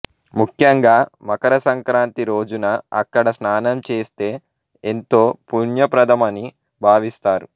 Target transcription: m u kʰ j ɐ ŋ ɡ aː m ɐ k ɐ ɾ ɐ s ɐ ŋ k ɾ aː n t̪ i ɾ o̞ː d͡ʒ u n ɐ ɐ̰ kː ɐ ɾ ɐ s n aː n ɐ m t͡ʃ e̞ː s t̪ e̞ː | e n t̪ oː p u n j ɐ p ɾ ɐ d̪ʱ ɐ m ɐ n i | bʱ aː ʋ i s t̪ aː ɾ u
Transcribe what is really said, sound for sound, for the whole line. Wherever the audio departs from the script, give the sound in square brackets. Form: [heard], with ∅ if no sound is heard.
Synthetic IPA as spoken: m u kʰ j ɐ ŋ ɡ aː m ɐ k ɐ ɾ ɐ s ɐ ŋ k ɾ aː n t̪ i ɾ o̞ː d͡ʒ u n ɐ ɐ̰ kː ɐ [ɽ] ɐ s n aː n ɐ m t͡ʃ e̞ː s t̪ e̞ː | e n t̪ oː p u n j ɐ p ɾ ɐ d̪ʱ ɐ m ɐ n i | bʱ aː ʋ i s t̪ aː ɾ u